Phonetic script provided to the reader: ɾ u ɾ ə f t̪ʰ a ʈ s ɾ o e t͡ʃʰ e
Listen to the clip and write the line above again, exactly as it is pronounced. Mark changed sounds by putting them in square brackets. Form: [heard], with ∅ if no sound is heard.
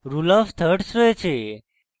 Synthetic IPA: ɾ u [l] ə f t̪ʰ [ə] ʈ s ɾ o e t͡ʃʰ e